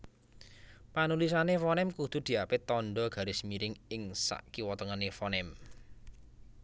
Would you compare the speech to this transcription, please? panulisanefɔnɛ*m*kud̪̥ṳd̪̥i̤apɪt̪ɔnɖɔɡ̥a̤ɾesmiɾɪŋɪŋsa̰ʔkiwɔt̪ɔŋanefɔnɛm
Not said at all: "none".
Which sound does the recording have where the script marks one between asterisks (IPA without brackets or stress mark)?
m